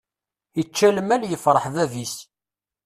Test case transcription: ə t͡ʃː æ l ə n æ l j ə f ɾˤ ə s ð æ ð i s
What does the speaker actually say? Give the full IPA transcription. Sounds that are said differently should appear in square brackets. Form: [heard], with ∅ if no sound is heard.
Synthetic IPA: ə t͡ʃː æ l ə [m] æ l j ə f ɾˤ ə [ħ] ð æ [v] i s